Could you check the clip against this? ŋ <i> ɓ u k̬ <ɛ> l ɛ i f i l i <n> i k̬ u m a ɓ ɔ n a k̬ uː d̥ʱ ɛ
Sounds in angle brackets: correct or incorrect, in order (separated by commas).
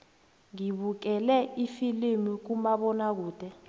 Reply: correct, correct, incorrect